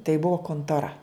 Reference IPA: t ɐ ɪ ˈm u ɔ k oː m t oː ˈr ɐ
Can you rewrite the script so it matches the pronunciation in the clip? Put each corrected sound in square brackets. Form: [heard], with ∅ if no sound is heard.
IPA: t ɐ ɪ [ˈb] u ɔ k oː [n] t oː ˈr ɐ